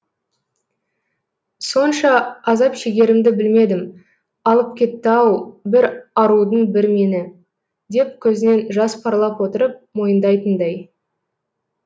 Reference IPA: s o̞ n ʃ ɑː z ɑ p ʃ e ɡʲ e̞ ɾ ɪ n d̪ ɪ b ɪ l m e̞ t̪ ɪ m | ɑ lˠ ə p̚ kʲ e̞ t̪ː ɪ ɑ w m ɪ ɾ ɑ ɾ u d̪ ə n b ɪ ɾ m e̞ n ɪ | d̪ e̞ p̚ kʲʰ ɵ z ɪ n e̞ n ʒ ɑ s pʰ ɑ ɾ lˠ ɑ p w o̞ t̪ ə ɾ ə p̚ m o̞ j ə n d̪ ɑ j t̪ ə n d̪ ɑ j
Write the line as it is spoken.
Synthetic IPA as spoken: s o̞ n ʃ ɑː z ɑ p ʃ e ɡʲ e̞ ɾ ɪ m d̪ ɪ b ɪ l m e̞ d̪ ɪ m | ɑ lˠ ə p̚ kʲ e̞ t̪ː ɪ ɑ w b ɪ ɾ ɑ ɾ u d̪ ə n b ɪ ɾ m e̞ n ɪ | d̪ e̞ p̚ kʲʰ ɵ z ɪ n e̞ n ʒ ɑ s pʰ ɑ ɾ lˠ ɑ p w o̞ t̪ ə ɾ ə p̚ m o̞ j ə n d̪ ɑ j t̪ ə n d̪ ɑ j